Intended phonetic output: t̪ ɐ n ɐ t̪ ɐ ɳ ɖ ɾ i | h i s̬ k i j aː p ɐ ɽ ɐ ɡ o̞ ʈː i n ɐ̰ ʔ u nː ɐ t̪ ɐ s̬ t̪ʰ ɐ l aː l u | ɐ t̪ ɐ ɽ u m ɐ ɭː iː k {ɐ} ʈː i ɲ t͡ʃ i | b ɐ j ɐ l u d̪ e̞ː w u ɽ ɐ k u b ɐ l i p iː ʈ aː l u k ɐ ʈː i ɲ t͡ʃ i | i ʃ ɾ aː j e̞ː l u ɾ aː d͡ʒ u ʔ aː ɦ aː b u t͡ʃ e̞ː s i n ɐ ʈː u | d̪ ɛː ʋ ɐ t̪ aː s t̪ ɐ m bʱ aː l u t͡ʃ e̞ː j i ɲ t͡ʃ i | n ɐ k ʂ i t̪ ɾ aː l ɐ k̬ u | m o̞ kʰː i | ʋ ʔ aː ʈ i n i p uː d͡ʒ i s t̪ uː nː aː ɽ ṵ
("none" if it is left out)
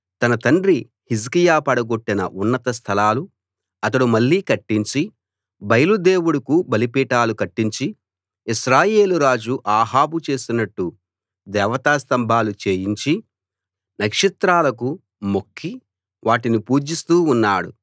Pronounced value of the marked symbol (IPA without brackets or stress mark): ɐ